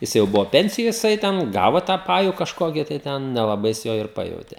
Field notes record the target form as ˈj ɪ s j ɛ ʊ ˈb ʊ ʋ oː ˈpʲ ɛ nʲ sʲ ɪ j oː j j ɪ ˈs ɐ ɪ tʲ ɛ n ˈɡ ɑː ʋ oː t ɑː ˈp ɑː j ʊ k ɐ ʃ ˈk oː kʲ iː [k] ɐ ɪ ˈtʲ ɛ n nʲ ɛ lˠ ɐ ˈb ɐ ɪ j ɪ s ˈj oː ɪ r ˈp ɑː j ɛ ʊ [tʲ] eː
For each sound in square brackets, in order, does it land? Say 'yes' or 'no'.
no, yes

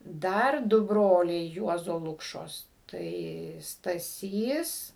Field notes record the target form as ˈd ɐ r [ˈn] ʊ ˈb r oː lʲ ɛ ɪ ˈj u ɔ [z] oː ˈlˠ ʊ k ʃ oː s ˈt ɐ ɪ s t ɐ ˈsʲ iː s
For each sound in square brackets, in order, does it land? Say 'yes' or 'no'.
no, yes

